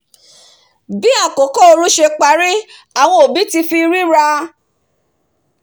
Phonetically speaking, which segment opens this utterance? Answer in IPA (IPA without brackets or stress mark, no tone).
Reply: b